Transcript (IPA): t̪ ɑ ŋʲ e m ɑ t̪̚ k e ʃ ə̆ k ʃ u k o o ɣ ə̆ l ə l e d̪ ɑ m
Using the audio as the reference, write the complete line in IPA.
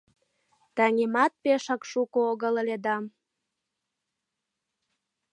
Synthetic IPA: t̪ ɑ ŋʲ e m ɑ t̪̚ p e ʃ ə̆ k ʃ u k o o ɣ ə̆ l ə l e d̪ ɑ m